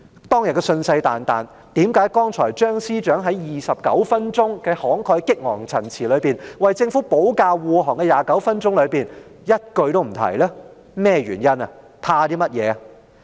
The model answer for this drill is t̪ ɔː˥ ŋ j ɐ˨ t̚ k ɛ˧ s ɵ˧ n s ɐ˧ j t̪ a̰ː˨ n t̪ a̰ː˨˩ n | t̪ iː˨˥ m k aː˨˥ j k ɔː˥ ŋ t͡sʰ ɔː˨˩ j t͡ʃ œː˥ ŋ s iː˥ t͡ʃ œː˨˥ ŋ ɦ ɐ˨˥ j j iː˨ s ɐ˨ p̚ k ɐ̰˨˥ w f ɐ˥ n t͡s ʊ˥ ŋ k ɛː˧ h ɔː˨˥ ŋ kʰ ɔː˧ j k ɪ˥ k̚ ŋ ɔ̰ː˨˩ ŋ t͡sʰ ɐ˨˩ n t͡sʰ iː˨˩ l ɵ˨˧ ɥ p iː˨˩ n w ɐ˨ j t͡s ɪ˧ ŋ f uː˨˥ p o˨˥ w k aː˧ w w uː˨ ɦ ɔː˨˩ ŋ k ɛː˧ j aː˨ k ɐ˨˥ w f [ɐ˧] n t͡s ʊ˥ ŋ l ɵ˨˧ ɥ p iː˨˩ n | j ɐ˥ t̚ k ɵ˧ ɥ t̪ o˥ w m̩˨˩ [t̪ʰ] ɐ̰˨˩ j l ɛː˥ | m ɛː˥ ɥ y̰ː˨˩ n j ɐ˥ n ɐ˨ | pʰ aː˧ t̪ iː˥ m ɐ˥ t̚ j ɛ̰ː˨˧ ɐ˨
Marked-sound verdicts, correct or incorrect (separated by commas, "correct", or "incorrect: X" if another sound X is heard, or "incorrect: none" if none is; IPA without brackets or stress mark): incorrect: ɐ˥, correct